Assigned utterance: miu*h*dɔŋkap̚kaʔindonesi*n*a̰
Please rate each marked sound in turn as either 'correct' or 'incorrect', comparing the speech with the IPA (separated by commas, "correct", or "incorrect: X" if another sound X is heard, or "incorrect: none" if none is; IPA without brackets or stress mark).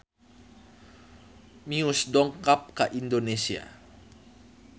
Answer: incorrect: s, incorrect: none